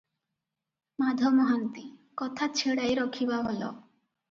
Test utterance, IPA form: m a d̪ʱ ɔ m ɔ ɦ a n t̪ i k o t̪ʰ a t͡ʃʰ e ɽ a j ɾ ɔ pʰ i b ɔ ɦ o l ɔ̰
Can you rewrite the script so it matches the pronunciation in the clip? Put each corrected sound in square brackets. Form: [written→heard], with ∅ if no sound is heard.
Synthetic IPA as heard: m a d̪ʱ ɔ m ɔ ɦ a n t̪ i k [o→ɔ] t̪ʰ a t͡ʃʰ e ɽ a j ɾ ɔ [pʰ→kʰ] i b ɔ ɦ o l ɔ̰